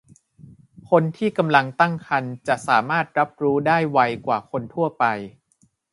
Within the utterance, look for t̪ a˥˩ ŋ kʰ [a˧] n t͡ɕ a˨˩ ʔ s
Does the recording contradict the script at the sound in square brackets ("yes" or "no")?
no